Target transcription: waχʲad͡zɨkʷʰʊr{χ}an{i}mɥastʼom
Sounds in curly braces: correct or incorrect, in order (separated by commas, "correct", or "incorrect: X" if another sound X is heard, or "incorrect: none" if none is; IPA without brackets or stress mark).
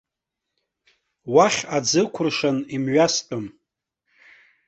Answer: incorrect: ʂ, correct